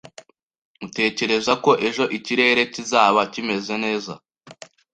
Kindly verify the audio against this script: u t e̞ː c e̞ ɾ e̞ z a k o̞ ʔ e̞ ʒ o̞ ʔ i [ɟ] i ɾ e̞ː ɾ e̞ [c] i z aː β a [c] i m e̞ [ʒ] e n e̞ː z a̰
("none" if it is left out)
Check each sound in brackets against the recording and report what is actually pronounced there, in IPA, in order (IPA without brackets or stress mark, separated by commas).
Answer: c, c, c, z